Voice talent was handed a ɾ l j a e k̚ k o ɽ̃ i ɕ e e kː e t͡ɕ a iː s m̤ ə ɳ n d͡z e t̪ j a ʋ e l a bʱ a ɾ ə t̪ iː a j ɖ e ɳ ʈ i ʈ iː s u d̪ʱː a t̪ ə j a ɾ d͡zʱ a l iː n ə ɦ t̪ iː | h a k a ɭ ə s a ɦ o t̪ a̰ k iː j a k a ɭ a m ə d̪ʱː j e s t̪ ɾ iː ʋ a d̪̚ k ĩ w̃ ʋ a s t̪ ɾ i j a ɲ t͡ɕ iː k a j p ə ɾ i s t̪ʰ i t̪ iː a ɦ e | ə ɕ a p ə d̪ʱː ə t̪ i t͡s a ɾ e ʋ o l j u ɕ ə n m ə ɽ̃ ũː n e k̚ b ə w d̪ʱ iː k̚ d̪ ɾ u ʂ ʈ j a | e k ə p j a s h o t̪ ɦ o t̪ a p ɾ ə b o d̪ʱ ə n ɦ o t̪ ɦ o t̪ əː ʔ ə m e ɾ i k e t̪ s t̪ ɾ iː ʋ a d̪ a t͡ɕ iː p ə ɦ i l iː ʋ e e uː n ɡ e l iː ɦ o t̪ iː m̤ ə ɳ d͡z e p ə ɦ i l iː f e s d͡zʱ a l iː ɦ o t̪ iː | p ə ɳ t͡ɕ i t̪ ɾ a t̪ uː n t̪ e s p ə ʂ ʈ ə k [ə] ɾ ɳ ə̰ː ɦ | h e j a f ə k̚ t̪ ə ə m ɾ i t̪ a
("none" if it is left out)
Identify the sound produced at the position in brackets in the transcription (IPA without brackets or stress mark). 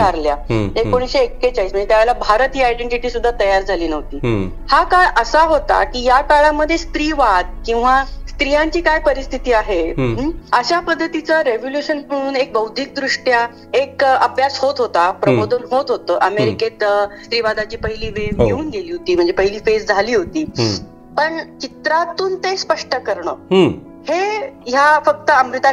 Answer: ə